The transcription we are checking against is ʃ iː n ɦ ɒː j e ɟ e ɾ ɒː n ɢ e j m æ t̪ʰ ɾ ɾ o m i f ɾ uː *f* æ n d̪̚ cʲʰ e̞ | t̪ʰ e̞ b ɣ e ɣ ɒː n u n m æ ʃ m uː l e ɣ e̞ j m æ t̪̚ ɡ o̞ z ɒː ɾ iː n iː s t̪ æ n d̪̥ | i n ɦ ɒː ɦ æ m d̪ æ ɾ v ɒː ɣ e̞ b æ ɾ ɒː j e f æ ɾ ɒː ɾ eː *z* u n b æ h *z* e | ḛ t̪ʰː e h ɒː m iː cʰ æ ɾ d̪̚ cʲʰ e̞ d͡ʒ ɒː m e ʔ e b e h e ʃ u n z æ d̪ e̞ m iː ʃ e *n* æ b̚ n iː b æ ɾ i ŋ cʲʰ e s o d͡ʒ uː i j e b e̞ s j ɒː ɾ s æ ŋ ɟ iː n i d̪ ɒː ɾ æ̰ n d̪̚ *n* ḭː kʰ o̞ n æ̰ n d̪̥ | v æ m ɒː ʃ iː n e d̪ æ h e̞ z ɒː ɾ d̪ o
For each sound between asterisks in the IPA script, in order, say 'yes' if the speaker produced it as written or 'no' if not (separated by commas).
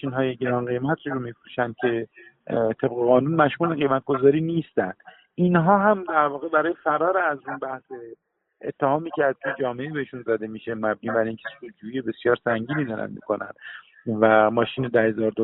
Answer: no, yes, no, no, no